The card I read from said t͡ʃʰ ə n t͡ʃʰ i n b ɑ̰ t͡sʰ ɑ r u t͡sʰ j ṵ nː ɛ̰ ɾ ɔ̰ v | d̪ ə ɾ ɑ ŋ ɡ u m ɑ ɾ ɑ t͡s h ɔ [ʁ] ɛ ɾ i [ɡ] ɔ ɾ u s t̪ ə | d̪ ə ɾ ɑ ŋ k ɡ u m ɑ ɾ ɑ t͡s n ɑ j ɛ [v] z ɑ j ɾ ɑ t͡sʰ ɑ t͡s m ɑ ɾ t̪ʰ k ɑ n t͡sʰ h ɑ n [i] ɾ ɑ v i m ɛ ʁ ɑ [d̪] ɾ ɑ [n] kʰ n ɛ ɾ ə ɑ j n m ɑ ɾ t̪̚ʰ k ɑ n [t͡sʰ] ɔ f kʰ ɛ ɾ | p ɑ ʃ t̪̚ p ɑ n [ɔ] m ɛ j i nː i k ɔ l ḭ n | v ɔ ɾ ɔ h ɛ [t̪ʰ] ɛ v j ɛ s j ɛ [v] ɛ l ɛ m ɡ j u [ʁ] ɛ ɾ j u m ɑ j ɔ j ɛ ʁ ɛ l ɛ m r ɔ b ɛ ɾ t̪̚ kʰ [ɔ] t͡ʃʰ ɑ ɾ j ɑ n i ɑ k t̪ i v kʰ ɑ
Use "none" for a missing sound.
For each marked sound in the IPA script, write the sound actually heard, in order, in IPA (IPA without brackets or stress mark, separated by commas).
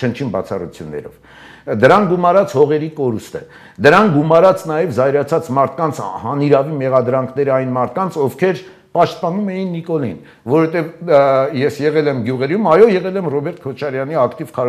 ʁ, k, v, i, d̪, ŋ, t͡sʰ, u, t̪, ʁ, ʁ, ɔ